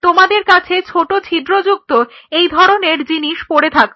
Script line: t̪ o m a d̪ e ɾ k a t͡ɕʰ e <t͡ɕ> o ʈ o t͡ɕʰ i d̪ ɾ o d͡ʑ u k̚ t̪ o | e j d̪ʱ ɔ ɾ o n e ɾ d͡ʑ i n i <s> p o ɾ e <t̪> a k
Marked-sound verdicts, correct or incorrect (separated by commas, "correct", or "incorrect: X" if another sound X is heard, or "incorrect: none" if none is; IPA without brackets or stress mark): incorrect: t͡ɕʰ, incorrect: ʃ, incorrect: t̪ʰ